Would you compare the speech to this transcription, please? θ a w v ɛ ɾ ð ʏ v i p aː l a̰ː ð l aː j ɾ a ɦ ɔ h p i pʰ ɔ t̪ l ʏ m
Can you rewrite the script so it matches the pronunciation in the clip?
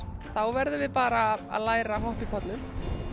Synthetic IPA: θ a w v ɛ ɾ ð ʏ v ɪ p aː ɾ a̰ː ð l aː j ɾ a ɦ ɔ h p i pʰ ɔ t̪ l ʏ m